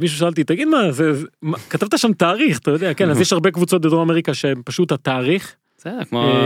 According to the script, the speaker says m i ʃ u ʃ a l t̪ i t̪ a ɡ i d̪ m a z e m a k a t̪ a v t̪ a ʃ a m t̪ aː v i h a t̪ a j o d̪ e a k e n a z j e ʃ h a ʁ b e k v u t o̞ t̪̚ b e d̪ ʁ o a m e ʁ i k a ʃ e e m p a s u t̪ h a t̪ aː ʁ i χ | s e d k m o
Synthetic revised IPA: m i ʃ u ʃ a l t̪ i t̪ a ɡ i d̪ m a z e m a k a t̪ a v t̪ a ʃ a m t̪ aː ʁ i χ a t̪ a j o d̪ e a k e n a z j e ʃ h a ʁ b e k v u t͡s o̞ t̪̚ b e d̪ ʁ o a m e ʁ i k a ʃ e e m p a ʃ u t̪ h a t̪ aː ʁ i χ | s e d k m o